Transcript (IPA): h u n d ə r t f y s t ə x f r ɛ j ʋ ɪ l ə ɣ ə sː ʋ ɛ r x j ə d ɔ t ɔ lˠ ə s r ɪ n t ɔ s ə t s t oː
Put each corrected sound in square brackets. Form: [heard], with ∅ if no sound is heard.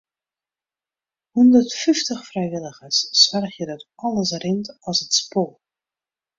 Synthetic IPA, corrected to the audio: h u n d ə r t f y [f] t ə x f r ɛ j ʋ ɪ l ə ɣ ə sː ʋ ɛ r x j ə d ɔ t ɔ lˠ ə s r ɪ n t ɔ s ə t s [p] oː